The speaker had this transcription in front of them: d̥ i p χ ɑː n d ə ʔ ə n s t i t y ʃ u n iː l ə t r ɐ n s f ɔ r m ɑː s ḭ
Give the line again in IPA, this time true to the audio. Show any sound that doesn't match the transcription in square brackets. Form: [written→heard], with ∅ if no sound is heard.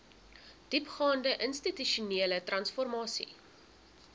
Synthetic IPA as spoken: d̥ i p χ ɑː n d ə ʔ ə n s t i t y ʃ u n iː l ə t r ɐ n s f ɔ r m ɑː s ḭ